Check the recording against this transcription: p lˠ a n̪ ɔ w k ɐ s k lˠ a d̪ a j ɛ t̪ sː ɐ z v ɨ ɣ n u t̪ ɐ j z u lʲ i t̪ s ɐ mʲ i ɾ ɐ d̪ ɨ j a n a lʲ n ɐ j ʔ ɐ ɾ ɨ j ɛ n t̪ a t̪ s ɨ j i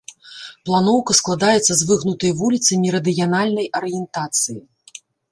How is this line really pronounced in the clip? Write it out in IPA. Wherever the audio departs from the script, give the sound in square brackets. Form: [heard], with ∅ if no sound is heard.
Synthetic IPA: p lˠ a n̪ ɔ w k ɐ s k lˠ a d̪ a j ɛ t̪ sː ɐ z v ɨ ɣ n u t̪ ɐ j [v] u lʲ i t̪ s ɐ mʲ i ɾ ɐ d̪ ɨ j a n a lʲ n ɐ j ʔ ɐ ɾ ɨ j ɛ n t̪ a t̪ s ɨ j i